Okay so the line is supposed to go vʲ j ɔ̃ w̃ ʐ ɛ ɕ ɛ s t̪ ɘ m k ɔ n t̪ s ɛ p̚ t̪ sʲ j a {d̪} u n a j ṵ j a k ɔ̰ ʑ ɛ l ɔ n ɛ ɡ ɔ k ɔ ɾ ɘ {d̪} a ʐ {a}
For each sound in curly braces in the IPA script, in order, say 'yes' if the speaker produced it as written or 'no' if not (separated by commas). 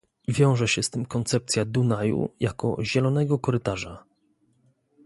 yes, no, yes